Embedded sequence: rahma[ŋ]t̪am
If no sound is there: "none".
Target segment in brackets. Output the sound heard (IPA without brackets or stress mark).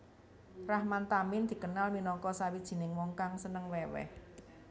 n